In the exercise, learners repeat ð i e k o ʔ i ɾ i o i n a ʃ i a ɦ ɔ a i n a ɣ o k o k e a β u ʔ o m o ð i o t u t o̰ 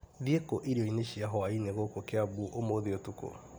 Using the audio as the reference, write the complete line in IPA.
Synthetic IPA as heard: ð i e k o ʔ i ɾ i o i n e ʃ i a ɦ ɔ a i n e ɣ o k o k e a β u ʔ o m o ð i o t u k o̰